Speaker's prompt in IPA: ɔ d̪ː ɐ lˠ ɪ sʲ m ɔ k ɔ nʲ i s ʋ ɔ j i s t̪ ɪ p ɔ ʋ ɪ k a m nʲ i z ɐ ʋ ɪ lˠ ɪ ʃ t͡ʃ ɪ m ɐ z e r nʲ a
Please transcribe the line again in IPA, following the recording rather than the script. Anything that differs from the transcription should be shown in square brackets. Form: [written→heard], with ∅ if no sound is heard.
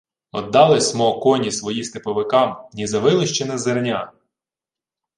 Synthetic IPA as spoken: ɔ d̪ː [ɐ→ɑ] lˠ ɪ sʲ m ɔ k ɔ nʲ i s ʋ ɔ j i s t̪ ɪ p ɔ ʋ ɪ k [a→ɑ] m nʲ i z ɐ ʋ ɪ lˠ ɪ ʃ t͡ʃ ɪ [m→n] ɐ z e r nʲ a